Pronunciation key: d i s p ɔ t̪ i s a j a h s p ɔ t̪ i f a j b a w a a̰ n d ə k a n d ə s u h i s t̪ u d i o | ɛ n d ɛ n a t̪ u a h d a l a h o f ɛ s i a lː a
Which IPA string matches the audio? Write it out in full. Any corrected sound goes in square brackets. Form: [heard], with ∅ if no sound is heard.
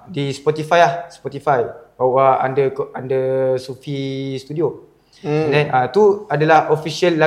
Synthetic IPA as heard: d i s p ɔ t̪ i [f] a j a h s p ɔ t̪ i f a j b a w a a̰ n d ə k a n d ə s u [f] i s t̪ u d i o | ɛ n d ɛ n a t̪ u a [∅] d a l a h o f [i] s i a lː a